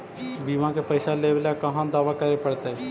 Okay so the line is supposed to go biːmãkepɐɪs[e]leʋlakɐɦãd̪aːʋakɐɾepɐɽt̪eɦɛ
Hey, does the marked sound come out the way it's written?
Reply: no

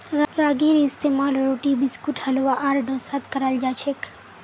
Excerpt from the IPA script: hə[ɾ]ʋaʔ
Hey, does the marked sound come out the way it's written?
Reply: no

